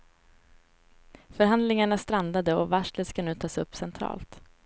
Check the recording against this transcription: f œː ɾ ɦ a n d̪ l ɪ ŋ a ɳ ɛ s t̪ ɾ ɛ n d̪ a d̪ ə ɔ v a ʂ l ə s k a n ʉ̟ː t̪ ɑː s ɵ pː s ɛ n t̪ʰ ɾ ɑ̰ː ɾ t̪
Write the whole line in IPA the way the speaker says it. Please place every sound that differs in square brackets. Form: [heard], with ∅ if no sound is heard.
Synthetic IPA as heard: f [œ] ɾ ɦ a n d̪ l ɪ ŋ a ɳ [a] s t̪ ɾ [a] n d̪ a d̪ ə ɔ v a ʂ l ə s k a n ʉ̟ː [t̪ʰ] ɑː s ɵ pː s ɛ n t̪ʰ ɾ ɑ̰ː [l] t̪